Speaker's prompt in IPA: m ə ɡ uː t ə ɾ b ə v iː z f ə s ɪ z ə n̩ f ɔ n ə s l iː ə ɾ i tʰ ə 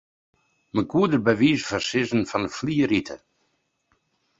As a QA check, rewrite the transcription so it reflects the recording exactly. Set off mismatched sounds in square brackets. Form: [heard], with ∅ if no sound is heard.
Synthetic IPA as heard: m ə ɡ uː [d] ə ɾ b ə v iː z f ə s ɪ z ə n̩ f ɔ n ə [f] l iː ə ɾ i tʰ ə